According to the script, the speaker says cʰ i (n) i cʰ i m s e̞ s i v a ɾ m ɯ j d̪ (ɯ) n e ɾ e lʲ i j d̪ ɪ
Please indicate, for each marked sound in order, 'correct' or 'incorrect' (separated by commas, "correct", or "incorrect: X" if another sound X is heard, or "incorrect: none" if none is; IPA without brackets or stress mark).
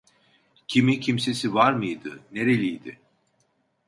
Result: incorrect: m, correct